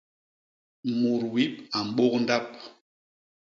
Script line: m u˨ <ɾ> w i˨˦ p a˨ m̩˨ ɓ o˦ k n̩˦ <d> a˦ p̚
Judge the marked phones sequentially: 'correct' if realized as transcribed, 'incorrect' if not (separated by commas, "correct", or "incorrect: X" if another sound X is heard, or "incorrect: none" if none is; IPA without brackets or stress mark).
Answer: correct, correct